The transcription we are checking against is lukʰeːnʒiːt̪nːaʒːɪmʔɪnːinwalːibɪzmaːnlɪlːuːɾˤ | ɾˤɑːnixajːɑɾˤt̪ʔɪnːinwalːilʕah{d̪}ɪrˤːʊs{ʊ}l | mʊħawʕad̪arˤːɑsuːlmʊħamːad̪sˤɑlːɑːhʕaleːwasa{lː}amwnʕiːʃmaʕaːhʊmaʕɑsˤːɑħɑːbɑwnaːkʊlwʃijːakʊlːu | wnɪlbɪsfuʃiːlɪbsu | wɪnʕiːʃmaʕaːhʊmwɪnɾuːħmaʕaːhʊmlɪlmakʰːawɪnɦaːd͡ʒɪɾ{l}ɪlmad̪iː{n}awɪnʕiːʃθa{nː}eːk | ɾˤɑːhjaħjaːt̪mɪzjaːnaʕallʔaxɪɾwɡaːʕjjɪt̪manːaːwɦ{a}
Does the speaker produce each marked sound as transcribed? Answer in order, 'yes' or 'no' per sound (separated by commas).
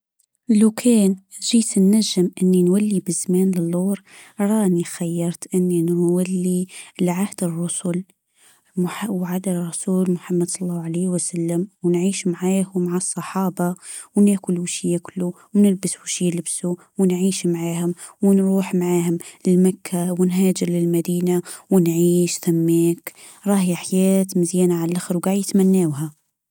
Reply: yes, yes, yes, yes, yes, no, yes